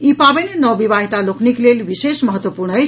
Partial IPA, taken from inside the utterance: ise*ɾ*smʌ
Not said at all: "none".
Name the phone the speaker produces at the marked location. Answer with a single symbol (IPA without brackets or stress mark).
none